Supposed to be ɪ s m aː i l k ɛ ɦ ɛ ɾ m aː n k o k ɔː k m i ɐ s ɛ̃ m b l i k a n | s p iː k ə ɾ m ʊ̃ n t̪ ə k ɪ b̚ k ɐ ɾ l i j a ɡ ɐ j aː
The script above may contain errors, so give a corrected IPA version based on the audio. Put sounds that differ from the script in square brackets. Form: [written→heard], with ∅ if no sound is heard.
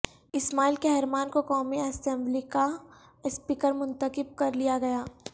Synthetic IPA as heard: ɪ s m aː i l k [ɛ→e] ɦ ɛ ɾ m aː n k o k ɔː [k→∅] m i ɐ s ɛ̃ m b l i k a [n→∅] | s p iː k ə ɾ m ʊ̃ n t̪ ə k ɪ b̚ k ɐ ɾ l i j a ɡ ɐ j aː